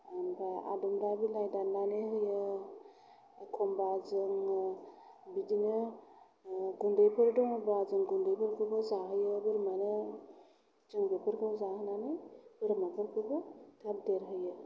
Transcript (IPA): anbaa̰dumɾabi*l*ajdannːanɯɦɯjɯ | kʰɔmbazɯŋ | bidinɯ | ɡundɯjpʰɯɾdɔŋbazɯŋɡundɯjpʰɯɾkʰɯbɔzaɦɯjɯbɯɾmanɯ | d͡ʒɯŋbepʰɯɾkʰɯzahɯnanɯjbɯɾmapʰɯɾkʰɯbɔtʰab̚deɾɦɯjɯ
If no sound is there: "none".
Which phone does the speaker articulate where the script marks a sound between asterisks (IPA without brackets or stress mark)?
l